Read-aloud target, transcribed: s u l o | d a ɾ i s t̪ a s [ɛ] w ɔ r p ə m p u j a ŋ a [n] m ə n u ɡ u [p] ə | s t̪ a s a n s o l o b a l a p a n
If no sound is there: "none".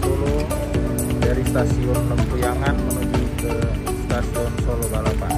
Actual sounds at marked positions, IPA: i, n, k

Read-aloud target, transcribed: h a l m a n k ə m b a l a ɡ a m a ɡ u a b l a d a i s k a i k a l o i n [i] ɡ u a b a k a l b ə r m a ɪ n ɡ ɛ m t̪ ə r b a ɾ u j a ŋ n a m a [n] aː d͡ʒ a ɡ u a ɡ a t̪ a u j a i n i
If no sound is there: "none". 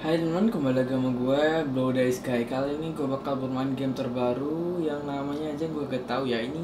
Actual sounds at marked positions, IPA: i, ɲ

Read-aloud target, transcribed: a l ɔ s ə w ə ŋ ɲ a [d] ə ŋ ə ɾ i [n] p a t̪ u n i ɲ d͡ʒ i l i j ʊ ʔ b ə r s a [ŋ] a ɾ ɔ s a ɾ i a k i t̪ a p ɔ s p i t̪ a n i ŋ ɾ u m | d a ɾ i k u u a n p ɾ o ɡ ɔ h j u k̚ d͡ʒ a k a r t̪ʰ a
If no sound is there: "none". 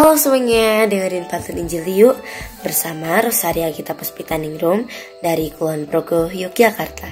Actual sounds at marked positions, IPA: d, n, m

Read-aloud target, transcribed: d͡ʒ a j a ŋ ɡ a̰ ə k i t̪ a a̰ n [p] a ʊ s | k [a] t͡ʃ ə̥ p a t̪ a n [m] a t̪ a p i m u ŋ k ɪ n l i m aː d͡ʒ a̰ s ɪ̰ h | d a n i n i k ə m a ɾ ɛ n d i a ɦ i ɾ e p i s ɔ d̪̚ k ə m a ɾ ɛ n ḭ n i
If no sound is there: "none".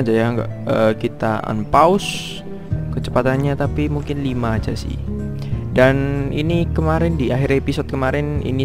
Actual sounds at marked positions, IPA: p, ə, ɲ

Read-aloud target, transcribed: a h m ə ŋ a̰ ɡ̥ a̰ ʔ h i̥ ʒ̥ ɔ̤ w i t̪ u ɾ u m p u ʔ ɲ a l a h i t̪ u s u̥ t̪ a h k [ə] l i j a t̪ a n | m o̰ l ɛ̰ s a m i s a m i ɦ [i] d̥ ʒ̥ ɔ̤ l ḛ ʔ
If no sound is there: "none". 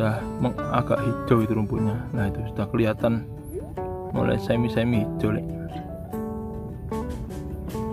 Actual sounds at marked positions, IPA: ə, i

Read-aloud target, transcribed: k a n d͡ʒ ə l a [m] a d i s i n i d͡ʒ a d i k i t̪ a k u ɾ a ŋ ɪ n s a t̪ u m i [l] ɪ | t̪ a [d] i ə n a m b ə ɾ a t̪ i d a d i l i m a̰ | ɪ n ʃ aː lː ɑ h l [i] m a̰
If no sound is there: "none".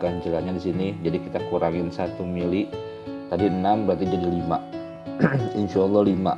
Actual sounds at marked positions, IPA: ɲ, l, d, i

